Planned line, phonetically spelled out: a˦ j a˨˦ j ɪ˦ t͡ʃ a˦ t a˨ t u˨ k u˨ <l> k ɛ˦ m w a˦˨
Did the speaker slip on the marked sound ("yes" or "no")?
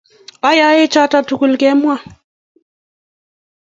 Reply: no